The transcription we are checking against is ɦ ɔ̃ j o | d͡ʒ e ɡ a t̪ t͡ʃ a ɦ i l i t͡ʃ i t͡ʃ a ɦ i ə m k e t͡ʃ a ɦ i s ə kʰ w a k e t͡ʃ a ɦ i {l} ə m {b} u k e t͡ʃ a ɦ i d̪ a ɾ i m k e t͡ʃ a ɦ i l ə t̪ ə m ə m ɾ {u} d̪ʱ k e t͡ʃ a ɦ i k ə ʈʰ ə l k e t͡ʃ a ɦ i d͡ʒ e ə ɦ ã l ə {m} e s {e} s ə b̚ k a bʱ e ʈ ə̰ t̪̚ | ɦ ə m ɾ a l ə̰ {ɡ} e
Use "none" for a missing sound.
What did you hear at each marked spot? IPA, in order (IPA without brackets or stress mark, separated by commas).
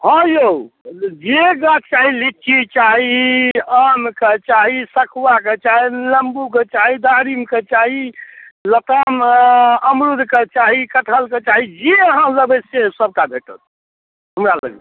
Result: l, b, u, b, e, ɡ